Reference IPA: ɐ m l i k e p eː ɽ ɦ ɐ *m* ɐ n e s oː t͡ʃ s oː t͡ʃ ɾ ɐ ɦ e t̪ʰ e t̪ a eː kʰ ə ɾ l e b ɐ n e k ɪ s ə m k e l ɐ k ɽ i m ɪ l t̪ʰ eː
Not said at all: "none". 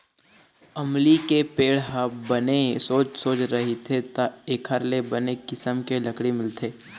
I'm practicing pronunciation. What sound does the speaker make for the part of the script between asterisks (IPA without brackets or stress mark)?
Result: b